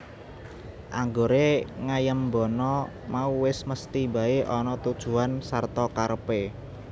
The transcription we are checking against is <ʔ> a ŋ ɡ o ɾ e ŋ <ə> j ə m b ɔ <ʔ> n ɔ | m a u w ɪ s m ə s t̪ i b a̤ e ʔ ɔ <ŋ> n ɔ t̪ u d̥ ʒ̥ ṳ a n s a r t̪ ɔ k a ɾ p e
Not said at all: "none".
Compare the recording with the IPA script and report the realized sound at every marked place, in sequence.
ʔ, a, none, none

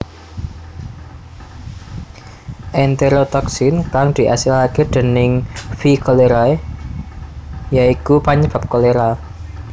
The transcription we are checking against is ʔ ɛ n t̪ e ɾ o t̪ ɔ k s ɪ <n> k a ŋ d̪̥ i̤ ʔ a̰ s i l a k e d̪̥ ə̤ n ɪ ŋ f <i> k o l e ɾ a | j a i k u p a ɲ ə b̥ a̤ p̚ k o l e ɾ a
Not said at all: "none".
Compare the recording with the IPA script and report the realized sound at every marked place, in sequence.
n, i

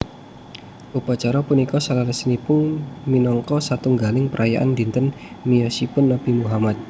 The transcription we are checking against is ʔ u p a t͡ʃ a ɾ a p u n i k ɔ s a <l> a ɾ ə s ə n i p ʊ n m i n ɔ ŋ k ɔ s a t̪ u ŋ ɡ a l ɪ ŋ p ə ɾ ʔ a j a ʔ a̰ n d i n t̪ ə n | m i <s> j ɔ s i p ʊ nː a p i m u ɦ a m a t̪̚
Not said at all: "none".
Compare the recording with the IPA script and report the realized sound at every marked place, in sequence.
l, none

